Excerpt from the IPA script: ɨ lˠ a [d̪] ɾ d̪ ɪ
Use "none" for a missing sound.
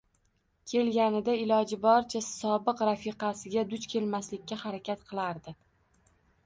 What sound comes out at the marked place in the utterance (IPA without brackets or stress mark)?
none